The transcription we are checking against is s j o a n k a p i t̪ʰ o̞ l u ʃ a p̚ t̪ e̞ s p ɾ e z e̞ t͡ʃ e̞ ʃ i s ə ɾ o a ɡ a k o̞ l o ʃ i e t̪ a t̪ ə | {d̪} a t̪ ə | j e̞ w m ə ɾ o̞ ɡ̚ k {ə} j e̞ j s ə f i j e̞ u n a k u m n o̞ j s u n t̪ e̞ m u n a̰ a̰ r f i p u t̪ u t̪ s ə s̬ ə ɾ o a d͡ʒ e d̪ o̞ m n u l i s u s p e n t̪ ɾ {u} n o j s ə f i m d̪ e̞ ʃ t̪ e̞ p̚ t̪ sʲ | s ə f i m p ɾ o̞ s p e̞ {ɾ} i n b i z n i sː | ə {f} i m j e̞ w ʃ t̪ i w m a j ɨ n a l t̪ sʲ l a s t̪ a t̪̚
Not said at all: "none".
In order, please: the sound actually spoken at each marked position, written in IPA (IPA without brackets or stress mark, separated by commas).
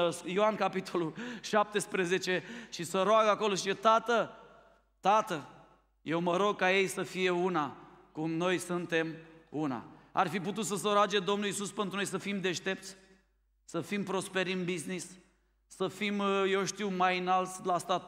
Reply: t̪, a, u, ɾ, f